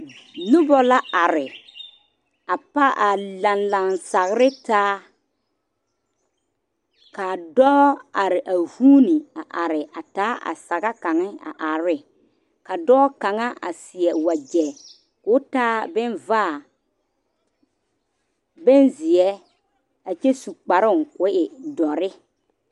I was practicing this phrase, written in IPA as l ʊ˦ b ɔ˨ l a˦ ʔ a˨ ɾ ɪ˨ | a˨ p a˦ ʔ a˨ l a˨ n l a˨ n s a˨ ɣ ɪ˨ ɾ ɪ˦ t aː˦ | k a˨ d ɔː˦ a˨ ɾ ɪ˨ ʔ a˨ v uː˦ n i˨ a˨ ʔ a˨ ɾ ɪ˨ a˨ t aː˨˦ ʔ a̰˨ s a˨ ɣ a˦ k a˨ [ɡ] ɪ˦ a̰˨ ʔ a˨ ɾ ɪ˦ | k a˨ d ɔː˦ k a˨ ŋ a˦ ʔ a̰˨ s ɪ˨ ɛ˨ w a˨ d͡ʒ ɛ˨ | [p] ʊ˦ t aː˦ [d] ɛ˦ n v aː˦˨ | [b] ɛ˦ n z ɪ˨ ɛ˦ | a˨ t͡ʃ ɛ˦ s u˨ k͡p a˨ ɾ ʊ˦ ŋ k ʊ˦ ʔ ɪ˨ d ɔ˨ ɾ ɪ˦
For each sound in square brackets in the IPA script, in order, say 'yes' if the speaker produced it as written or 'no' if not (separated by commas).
no, no, no, yes